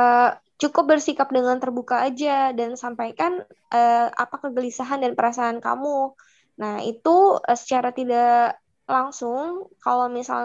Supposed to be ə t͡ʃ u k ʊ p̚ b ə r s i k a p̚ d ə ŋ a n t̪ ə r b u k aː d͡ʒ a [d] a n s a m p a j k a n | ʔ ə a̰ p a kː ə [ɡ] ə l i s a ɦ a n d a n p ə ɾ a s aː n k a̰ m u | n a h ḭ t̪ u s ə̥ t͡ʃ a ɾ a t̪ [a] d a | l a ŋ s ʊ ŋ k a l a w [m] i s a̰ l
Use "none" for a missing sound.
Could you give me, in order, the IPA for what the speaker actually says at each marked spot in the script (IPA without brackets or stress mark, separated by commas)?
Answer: d, ɡ, i, m